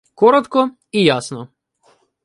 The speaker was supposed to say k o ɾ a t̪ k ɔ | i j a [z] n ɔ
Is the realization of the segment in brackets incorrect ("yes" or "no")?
yes